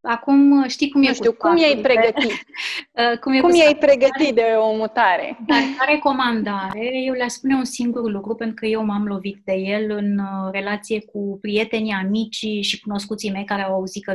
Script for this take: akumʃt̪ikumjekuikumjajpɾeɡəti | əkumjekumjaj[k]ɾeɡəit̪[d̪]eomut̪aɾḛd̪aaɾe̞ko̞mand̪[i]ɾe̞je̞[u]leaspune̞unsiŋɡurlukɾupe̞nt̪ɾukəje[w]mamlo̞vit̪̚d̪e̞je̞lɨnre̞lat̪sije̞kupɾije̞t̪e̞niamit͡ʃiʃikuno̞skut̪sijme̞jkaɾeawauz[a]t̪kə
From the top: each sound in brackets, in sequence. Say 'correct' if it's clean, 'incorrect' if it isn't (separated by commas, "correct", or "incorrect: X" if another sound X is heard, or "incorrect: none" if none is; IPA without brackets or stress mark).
incorrect: p, correct, incorrect: a, incorrect: w, correct, incorrect: i